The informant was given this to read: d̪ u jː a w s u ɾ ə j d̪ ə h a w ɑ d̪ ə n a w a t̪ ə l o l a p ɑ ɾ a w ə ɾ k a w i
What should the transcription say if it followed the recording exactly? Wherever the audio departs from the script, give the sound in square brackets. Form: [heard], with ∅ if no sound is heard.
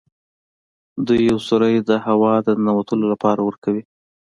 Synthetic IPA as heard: d̪ u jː a w s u ɾ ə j d̪ ə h a w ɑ d̪ ə n a w a t̪ ə l o l a p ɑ ɾ a w ə ɾ k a w i